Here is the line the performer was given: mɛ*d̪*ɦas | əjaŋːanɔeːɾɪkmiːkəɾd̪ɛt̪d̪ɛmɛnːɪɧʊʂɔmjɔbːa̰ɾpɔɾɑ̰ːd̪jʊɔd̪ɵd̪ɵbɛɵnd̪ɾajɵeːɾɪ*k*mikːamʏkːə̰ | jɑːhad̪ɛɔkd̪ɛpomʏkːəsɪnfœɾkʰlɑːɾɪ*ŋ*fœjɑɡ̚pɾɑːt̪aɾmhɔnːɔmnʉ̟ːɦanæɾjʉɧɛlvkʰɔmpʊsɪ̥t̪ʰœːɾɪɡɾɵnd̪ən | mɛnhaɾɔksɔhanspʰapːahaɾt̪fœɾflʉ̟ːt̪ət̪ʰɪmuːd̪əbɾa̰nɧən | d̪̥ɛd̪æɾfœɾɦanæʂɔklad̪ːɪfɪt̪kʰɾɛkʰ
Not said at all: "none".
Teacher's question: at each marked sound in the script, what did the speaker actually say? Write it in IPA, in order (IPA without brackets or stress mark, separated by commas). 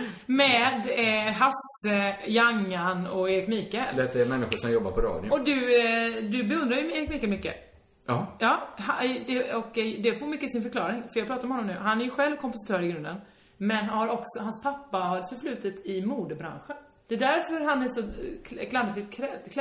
d̪, k, ŋ